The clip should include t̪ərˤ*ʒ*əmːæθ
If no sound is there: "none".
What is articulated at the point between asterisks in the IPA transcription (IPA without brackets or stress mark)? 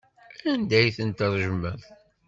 ʒ